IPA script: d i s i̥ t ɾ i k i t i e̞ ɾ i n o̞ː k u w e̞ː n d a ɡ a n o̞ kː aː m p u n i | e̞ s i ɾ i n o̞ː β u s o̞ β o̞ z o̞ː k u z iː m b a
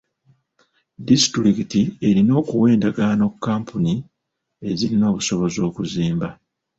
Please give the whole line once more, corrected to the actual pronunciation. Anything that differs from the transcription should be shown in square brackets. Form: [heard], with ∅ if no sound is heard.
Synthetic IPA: d i s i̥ t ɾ i k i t i e̞ ɾ i n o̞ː k u w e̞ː n d a ɡ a n o̞ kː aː m p u n i | e̞ [z] i ɾ i n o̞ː β u s o̞ β o̞ z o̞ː k u z iː m b a